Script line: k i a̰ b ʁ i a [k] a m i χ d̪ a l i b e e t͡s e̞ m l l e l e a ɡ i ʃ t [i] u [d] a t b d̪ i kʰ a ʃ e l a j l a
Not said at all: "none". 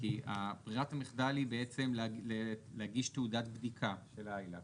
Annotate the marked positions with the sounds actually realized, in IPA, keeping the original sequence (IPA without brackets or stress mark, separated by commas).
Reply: t, e, d